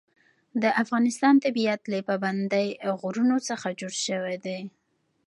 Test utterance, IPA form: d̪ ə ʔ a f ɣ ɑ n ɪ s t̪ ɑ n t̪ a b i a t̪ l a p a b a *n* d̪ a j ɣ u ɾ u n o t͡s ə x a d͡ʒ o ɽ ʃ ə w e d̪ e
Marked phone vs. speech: correct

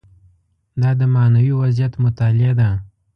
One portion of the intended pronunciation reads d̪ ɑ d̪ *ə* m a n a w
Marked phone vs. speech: correct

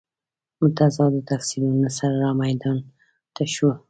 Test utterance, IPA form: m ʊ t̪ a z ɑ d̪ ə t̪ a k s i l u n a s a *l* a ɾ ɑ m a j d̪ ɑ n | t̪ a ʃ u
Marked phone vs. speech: incorrect: ɾ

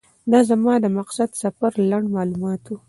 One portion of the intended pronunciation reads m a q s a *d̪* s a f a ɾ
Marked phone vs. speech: correct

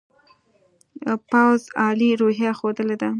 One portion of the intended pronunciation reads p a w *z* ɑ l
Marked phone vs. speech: correct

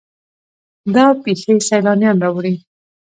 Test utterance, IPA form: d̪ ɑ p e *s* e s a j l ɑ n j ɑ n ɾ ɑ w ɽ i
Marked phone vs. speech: incorrect: x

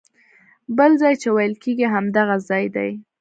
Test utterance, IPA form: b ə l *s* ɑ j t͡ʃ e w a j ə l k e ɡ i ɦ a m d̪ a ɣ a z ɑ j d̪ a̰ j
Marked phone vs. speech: incorrect: z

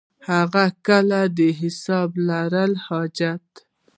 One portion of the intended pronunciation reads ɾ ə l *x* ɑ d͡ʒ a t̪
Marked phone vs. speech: incorrect: h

